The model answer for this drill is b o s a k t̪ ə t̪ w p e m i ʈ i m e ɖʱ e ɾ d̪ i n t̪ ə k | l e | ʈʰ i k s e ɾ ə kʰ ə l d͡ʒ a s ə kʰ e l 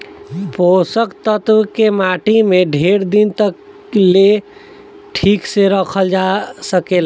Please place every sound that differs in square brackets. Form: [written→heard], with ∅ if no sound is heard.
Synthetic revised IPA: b o s [a→ə] k t̪ ə t̪ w [p→k] e m [i→a] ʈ i m e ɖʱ e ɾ d̪ i n t̪ ə k | l e | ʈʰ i k s e ɾ ə kʰ ə l d͡ʒ a s ə [kʰ→k] e l